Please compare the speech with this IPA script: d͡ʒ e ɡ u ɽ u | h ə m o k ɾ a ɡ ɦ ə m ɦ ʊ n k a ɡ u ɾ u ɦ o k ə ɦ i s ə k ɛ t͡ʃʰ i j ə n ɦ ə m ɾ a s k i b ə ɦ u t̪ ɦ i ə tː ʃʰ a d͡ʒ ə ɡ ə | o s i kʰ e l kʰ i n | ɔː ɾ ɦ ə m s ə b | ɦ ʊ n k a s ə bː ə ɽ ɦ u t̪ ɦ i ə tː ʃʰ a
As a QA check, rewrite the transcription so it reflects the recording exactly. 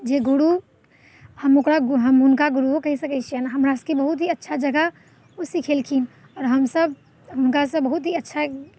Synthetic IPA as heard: d͡ʒ e ɡ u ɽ u | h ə m o k ɾ a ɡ ɦ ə m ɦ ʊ n k a ɡ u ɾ u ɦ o k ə ɦ i s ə k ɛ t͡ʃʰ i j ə n ɦ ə m ɾ a s k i b ə ɦ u t̪ ɦ i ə tː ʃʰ a d͡ʒ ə ɡ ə | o s i kʰ e l kʰ i n | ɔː ɾ ɦ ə m s ə b | ɦ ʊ n k a s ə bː ə ɦ u t̪ ɦ i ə tː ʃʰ a